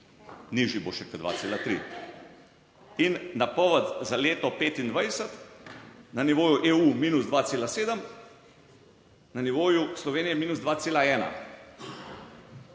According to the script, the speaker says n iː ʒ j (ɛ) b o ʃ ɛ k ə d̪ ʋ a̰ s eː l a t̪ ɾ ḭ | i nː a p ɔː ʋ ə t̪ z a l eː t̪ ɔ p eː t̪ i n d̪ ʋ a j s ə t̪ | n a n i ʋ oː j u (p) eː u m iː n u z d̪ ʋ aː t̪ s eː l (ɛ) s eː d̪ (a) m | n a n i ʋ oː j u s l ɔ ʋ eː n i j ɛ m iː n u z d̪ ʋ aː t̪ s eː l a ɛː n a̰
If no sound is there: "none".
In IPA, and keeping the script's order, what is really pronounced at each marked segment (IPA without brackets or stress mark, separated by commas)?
i, ʔ, a, ə